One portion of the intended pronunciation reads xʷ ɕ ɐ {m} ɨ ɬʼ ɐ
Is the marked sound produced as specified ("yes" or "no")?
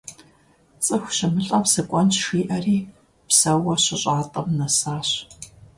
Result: yes